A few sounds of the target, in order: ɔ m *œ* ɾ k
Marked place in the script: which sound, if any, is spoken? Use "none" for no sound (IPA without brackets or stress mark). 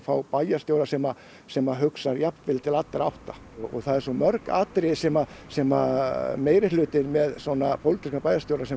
œ